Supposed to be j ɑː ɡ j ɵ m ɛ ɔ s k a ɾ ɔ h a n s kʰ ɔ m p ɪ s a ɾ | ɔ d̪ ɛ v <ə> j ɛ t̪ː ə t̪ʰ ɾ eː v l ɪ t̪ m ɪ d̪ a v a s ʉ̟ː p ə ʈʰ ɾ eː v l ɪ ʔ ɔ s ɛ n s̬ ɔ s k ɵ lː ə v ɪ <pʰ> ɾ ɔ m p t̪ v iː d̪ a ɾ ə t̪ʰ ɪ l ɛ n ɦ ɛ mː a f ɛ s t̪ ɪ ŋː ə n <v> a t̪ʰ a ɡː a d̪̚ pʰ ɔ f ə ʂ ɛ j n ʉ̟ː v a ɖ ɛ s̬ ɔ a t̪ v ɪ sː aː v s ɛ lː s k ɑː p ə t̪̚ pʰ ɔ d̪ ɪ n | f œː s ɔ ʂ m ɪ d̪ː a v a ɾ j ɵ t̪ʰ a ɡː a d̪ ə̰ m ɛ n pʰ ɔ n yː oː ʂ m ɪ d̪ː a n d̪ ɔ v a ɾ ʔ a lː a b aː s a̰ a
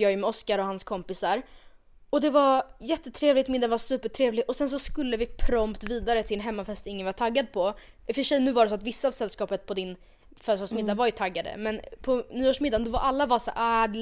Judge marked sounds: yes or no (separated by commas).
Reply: no, yes, yes